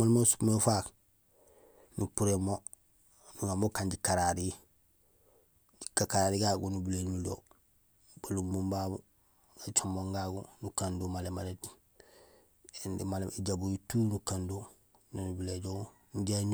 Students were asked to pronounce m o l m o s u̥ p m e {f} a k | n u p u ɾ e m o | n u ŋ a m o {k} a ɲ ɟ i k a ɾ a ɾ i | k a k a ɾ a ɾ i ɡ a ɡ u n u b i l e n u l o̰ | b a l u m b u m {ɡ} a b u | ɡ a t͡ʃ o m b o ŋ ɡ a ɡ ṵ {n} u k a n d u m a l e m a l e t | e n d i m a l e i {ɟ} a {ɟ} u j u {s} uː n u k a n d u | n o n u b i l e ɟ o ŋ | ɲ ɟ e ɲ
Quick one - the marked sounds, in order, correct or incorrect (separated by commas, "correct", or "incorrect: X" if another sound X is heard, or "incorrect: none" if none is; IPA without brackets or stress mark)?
correct, correct, incorrect: b, correct, correct, incorrect: b, incorrect: t